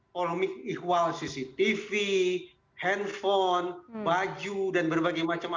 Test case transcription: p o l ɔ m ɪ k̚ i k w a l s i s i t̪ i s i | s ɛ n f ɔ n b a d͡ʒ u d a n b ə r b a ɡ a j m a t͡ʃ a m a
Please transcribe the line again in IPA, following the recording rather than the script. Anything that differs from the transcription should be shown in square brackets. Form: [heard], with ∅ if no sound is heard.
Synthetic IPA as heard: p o l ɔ m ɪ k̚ i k w a l s i s i t̪ i [f] i | [h] ɛ n f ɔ n b a d͡ʒ u d a n b ə r b a ɡ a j m a t͡ʃ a m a